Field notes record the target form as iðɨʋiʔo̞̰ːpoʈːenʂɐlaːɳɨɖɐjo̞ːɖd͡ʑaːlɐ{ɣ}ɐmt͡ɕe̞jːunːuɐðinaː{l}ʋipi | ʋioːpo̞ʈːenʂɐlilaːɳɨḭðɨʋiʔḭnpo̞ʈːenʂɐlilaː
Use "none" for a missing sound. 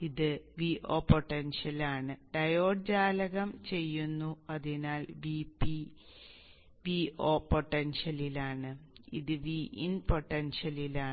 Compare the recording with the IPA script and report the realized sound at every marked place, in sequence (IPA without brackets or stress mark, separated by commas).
ɣ, l